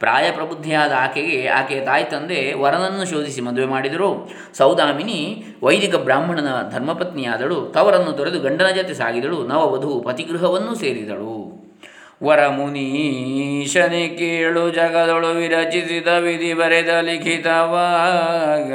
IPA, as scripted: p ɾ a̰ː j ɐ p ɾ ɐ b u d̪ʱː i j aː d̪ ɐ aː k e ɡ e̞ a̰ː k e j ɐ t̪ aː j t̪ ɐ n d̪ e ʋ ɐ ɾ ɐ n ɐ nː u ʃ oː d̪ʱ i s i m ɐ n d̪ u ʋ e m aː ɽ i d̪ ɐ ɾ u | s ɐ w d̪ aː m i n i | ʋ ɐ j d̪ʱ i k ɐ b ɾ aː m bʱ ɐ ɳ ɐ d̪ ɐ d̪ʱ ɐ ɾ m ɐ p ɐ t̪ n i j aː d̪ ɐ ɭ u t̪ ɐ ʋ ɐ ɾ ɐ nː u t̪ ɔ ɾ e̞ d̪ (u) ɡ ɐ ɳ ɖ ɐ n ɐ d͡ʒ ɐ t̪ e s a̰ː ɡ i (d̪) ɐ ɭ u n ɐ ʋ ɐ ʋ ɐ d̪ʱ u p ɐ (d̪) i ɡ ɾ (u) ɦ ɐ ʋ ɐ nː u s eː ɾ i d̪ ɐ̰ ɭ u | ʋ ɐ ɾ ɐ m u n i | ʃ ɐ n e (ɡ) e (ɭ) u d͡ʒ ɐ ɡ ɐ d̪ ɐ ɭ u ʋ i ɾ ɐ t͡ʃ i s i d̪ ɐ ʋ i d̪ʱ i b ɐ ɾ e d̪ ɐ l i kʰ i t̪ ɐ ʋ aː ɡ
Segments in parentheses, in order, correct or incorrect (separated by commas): correct, correct, incorrect, correct, incorrect, correct